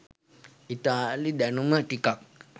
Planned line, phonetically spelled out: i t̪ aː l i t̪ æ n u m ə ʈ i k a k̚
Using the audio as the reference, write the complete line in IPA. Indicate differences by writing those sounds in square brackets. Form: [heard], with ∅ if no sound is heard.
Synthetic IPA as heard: i t̪ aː l i [d̪] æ n u m ə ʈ i k a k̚